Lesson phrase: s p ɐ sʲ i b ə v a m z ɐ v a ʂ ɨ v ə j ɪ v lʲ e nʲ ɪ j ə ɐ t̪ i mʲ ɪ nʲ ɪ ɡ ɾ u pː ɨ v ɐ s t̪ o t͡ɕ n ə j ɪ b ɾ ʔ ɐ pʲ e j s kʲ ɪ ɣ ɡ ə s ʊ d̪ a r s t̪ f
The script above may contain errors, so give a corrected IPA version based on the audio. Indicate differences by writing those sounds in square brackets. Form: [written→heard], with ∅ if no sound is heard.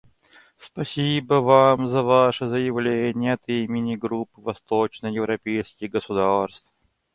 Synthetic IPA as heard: s p ɐ sʲ i b ə v a m z ɐ v a ʂ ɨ [v→z] ə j ɪ v lʲ e nʲ ɪ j ə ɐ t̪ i mʲ ɪ nʲ ɪ ɡ ɾ u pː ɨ v ɐ s t̪ o t͡ɕ n ə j ɪ [b→v] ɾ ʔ ɐ pʲ e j s kʲ ɪ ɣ ɡ ə s ʊ d̪ a r s t̪ f